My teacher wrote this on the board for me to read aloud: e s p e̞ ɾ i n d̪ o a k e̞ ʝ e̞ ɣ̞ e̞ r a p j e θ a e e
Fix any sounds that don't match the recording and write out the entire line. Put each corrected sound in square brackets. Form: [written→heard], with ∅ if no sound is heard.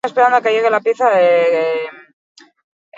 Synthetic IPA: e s p e̞ ɾ [i→a] n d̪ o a k e̞ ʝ e̞ ɣ̞ e̞ [r→l] a p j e θ a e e